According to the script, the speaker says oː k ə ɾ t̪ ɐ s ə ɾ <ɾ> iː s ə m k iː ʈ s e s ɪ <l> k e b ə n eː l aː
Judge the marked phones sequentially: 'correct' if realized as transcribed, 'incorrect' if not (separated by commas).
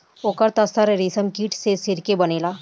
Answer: correct, incorrect